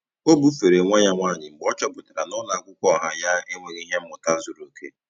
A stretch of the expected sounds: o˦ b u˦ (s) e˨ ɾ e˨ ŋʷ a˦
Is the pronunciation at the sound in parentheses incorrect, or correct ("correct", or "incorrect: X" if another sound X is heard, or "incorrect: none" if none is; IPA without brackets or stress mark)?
incorrect: f